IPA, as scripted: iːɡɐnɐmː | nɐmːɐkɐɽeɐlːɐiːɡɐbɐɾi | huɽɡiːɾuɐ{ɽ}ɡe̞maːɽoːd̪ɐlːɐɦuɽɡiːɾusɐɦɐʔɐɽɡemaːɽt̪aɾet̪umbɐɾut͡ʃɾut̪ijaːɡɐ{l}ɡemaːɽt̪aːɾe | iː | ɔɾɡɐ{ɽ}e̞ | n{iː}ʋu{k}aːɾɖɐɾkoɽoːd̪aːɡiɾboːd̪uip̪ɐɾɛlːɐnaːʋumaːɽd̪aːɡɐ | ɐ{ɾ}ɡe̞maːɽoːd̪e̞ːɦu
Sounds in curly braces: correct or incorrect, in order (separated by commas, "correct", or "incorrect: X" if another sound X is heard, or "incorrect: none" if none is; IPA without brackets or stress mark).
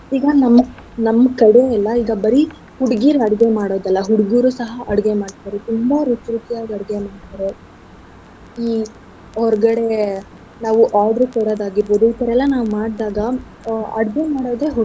correct, incorrect: ɽ, correct, incorrect: aː, incorrect: ʔ, incorrect: ɽ